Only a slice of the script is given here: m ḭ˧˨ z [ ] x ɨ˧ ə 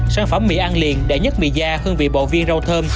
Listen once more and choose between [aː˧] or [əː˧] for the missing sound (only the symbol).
aː˧